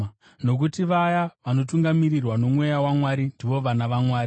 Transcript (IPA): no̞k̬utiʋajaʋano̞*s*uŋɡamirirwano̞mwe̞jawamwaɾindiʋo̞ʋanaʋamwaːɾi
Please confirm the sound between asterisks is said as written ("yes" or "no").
no